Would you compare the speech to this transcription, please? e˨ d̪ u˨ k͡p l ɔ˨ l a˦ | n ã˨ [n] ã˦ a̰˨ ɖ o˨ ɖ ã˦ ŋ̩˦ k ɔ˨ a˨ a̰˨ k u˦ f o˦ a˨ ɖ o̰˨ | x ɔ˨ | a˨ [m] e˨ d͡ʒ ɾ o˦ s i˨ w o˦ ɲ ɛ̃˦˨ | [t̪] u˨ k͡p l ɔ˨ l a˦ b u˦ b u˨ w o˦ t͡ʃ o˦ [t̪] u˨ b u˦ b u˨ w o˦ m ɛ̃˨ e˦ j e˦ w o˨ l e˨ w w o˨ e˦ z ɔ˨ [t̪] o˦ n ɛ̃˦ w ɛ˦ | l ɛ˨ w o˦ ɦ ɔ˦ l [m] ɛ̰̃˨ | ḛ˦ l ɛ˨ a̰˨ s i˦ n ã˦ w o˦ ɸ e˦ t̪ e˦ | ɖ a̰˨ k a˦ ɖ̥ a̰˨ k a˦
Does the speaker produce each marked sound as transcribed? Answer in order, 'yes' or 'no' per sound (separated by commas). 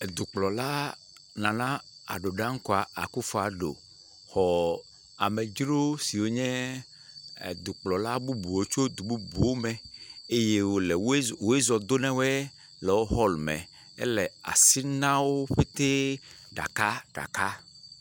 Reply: yes, yes, no, no, no, yes